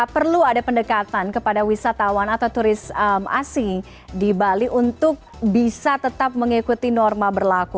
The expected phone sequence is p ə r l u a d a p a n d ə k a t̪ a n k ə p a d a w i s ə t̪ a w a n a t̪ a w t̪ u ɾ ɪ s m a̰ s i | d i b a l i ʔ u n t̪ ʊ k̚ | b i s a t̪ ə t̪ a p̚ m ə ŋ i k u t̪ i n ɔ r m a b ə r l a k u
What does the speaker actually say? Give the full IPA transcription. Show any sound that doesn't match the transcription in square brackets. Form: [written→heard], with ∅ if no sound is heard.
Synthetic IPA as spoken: p ə r l u a d a p [a→ə] n d ə k a t̪ a n k ə p a d a w i s [ə→a] t̪ a w a n a t̪ a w t̪ u ɾ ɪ s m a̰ s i | d i b a l i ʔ u n t̪ ʊ k̚ | b i s a t̪ ə t̪ a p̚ m ə ŋ i k u t̪ i n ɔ r m a b ə r l a k u